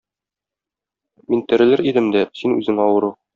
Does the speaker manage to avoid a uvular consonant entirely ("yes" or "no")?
yes